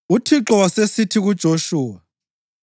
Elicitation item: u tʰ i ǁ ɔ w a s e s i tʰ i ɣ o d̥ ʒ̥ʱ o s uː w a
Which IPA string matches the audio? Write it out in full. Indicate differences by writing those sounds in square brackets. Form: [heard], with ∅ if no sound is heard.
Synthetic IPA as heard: u tʰ i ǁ ɔ w a s e s i tʰ i ɣ [u] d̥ ʒ̥ʱ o [ʃ] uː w a